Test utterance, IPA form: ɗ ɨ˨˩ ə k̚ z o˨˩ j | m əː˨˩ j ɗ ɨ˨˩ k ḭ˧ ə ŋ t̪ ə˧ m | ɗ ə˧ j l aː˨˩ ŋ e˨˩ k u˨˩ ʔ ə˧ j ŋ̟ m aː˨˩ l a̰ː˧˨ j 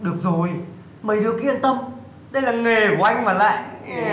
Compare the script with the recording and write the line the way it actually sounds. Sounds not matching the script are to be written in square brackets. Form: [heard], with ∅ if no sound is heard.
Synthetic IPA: ɗ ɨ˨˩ ə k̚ z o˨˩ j | m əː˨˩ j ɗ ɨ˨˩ k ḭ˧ ə [n] t̪ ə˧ m | ɗ ə˧ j l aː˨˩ ŋ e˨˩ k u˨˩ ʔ [a˧] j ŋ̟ m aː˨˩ l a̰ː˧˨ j